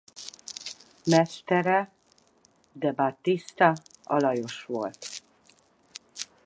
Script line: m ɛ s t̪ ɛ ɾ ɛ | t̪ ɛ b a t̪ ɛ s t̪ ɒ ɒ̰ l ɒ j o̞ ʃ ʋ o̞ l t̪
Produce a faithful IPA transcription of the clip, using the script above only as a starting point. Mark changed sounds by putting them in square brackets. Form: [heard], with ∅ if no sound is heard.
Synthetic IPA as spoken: m ɛ s t̪ ɛ ɾ ɛ | [d̪] ɛ b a t̪ [i] s t̪ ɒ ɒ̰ l ɒ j o̞ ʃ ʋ o̞ l t̪